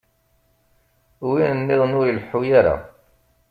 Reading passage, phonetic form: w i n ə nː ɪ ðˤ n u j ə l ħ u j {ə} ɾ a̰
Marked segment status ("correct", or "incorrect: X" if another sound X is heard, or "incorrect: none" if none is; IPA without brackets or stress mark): incorrect: a